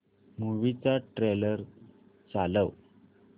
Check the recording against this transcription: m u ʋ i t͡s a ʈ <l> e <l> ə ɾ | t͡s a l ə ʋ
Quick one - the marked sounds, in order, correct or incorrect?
incorrect: ɾ, correct

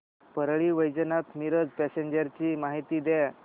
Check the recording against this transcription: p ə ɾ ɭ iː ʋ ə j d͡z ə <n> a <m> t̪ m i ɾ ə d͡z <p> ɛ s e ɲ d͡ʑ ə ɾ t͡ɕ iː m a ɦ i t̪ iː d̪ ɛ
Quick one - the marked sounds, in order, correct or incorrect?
correct, incorrect: none, correct

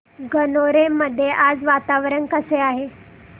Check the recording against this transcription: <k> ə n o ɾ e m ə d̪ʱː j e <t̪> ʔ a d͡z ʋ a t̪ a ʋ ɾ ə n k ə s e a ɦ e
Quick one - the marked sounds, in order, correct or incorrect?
incorrect: ɡ, incorrect: none

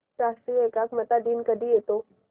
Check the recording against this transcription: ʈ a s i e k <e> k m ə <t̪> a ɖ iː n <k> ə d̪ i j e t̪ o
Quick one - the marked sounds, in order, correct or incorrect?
incorrect: a, correct, correct

